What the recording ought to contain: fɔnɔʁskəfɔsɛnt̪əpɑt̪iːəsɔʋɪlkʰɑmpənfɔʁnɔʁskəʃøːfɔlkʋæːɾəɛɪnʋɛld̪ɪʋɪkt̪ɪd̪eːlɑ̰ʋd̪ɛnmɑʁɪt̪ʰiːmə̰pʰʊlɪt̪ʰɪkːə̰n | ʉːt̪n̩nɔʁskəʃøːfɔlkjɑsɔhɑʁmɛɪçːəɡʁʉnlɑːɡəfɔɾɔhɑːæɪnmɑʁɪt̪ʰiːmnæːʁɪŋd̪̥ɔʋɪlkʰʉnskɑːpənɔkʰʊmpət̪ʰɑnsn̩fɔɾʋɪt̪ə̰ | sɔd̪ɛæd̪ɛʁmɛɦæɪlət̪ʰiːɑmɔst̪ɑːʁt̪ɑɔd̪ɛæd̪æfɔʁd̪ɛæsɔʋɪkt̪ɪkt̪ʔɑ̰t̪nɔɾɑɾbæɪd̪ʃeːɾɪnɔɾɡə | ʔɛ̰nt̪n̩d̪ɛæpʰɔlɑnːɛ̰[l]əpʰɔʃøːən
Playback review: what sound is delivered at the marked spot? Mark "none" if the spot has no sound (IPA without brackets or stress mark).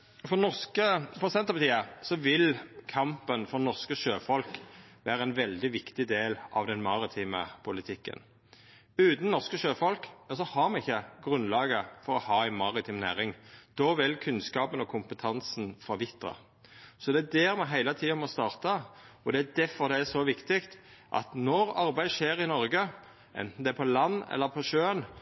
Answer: lː